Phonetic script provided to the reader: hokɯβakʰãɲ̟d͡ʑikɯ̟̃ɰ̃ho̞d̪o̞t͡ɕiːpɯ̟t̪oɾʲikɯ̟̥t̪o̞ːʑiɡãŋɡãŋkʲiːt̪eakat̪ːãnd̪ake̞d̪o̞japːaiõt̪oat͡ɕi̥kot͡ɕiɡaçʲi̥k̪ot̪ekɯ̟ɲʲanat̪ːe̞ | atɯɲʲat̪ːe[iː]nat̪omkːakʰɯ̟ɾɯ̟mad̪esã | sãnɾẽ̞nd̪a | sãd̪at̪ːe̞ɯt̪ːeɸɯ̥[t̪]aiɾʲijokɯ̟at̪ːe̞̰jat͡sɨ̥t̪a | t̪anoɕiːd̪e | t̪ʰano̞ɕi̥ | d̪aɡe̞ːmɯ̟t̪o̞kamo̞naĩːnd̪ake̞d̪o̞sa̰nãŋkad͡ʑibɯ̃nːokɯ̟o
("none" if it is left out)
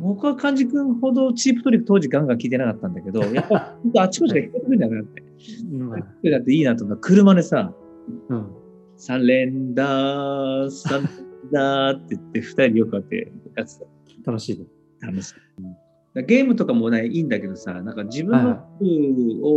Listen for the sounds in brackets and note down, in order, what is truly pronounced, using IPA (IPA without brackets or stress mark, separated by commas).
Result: iː, t̪